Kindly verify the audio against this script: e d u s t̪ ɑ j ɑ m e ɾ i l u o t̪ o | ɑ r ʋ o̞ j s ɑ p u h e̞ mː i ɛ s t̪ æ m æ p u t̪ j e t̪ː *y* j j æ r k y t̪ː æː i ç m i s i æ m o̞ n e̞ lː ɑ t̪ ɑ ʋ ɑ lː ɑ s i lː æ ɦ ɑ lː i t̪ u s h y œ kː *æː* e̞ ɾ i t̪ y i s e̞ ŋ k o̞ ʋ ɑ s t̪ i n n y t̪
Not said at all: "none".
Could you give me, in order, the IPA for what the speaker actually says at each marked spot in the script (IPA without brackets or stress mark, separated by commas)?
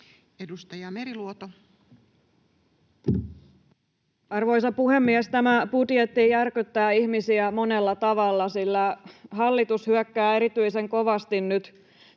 i, æː